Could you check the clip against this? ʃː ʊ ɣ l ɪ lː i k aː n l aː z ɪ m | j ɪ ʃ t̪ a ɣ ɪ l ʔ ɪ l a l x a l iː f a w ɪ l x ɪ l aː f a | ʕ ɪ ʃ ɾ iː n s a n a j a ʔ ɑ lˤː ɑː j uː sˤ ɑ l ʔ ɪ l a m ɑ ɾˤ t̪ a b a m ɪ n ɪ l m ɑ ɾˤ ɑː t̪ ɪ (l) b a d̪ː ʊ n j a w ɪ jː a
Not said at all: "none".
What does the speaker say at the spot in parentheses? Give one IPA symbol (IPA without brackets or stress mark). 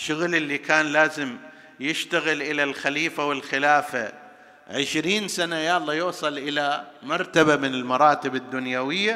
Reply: none